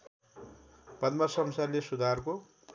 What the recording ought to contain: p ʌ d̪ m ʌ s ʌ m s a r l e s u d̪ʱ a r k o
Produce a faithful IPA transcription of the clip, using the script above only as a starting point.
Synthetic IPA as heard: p ʌ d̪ m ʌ s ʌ m s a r l e s u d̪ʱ a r k o